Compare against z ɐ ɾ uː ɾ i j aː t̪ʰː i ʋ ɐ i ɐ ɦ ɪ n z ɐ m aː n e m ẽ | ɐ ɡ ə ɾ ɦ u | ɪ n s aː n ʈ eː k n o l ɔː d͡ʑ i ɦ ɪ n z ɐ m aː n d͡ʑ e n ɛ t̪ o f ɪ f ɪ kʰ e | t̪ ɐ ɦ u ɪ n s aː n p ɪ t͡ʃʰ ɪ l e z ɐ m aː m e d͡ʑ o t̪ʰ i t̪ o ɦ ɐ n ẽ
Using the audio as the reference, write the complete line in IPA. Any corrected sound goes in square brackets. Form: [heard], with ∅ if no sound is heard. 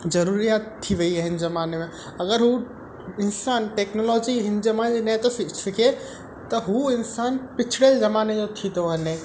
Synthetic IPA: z ɐ ɾ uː ɾ i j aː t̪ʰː i ʋ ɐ i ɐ ɦ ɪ n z ɐ m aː n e m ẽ | ɐ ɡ ə ɾ ɦ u | ɪ n s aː n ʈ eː k n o l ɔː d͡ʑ i ɦ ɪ n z ɐ m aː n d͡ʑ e n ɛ t̪ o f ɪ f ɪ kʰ e | t̪ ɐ ɦ u ɪ n s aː n p ɪ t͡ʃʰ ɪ [ɽ] e z ɐ m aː [n] e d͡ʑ o t̪ʰ i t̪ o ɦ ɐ n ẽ

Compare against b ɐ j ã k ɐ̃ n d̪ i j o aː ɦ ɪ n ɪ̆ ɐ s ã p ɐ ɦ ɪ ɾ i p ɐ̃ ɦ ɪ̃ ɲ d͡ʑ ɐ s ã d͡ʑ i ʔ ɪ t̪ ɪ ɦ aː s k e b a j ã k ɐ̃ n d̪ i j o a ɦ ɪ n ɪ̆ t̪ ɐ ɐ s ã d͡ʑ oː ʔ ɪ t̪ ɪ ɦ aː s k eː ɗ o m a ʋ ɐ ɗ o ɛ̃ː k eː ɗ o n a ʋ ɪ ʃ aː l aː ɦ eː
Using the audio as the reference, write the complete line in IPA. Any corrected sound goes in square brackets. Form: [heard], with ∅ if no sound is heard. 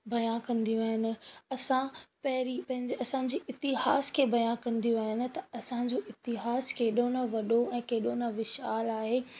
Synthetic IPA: b ɐ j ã k ɐ̃ n d̪ i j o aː ɦ ɪ n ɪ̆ ɐ s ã p ɐ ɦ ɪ ɾ i p ɐ̃ ɦ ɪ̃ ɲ d͡ʑ ɐ s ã d͡ʑ i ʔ ɪ t̪ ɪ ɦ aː s [kʰ] e b [ɐ] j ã k ɐ̃ n d̪ i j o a ɦ ɪ n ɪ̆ t̪ ɐ ɐ s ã d͡ʑ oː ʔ ɪ t̪ ɪ ɦ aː s k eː ɗ o [n] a ʋ ɐ ɗ o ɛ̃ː k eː ɗ o n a ʋ ɪ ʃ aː l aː ɦ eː

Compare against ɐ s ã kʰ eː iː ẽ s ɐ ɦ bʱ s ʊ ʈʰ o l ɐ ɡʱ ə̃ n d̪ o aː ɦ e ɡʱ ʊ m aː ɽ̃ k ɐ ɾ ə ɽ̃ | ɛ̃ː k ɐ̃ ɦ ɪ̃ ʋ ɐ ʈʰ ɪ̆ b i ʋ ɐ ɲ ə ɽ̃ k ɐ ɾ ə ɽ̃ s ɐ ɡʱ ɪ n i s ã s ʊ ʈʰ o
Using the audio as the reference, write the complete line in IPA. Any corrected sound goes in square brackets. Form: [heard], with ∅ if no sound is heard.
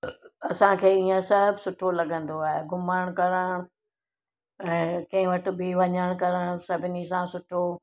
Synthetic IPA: ɐ s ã kʰ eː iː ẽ s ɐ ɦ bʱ s ʊ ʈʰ o l ɐ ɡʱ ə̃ n d̪ o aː ɦ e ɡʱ ʊ m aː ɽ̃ k ɐ ɾ ə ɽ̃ | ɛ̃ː k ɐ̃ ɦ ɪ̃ ʋ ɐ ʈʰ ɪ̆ b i ʋ ɐ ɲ ə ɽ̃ k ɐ ɾ ə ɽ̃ s ɐ [bʱ] ɪ n i s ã s ʊ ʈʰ o

